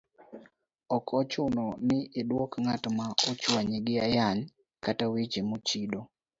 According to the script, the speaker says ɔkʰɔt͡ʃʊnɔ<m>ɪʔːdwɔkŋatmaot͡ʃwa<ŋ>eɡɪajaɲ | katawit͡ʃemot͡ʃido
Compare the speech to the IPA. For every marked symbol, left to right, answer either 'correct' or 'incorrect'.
incorrect, incorrect

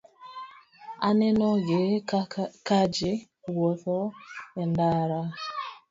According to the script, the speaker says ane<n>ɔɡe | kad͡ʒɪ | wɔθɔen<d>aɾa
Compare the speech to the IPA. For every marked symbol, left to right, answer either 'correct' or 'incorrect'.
correct, correct

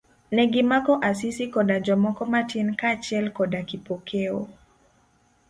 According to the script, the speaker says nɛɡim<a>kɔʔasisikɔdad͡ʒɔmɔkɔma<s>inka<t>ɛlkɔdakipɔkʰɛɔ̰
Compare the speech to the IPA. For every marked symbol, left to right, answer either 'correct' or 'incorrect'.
correct, incorrect, incorrect

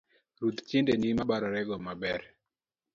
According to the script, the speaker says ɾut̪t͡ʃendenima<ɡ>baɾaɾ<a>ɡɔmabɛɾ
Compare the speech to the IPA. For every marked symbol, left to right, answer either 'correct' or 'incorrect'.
incorrect, incorrect

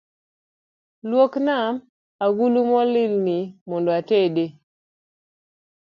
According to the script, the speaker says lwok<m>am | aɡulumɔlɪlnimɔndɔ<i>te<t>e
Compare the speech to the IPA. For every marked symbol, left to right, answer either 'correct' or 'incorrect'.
incorrect, incorrect, incorrect

